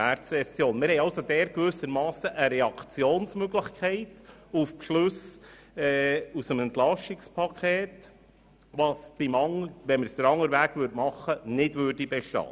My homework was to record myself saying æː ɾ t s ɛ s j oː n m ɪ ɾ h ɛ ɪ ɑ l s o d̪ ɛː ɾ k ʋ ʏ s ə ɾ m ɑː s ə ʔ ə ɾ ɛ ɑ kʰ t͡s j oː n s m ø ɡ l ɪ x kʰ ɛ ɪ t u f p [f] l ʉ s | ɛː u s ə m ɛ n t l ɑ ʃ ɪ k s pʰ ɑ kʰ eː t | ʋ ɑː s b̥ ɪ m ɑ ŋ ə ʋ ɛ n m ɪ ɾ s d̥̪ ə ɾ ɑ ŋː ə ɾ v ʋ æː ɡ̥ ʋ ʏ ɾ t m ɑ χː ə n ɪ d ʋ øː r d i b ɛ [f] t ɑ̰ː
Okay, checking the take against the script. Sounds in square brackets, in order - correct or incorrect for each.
incorrect, incorrect

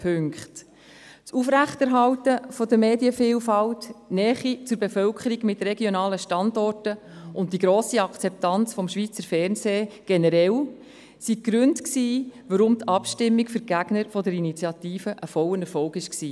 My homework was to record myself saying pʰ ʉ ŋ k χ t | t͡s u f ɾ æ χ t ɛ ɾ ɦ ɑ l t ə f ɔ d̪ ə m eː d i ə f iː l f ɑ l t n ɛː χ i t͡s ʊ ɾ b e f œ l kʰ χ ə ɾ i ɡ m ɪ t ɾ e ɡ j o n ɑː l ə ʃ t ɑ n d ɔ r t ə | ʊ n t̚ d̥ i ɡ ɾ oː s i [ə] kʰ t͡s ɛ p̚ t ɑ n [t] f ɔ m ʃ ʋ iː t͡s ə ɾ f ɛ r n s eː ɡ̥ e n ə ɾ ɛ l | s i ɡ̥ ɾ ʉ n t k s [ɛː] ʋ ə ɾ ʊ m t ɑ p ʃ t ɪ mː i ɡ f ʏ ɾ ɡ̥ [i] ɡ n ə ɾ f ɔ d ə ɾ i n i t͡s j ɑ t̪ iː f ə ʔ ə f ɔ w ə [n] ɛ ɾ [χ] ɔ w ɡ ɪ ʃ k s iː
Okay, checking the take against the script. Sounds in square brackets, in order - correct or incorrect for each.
incorrect, incorrect, incorrect, incorrect, correct, incorrect

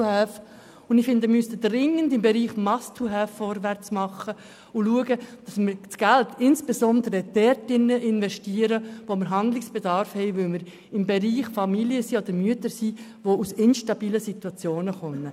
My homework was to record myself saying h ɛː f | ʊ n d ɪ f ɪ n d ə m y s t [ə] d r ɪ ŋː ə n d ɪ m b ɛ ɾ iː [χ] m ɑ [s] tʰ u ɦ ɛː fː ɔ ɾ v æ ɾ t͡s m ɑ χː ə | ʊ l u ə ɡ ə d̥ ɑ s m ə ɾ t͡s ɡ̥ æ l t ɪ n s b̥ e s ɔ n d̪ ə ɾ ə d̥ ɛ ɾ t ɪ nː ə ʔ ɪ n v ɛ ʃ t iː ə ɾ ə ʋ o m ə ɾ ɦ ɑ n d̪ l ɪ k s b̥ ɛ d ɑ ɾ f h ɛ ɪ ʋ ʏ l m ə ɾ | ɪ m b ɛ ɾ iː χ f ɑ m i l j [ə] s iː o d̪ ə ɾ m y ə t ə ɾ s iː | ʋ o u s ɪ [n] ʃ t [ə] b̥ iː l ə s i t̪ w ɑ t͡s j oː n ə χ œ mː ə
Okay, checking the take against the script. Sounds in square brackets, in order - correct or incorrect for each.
correct, correct, correct, correct, correct, incorrect

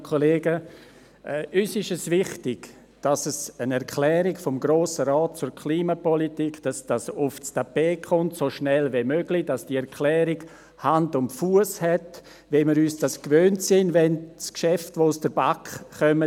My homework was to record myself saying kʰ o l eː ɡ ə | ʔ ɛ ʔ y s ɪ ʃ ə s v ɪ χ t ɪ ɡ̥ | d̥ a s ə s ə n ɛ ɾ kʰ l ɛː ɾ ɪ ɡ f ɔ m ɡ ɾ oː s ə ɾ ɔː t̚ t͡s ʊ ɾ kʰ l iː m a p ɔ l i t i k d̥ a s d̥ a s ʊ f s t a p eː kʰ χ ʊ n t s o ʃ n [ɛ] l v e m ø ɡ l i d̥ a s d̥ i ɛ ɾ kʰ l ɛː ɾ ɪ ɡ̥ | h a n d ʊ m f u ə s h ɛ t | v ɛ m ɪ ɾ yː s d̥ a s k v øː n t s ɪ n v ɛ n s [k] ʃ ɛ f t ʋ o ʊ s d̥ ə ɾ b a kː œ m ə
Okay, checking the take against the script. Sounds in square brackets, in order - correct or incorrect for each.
correct, correct

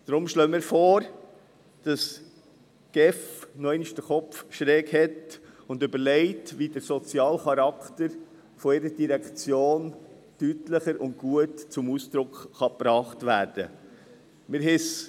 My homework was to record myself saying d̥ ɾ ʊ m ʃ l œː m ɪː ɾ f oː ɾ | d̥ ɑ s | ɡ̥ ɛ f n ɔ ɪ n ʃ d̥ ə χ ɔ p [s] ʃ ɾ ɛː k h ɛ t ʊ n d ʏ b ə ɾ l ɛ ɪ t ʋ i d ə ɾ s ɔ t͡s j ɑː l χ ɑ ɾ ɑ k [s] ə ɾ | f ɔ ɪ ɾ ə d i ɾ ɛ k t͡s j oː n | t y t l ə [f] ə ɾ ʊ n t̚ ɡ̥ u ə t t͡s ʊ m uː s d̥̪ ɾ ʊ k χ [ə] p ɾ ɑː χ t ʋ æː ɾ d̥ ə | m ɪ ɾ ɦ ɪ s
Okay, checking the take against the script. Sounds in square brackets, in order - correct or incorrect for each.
incorrect, incorrect, incorrect, incorrect

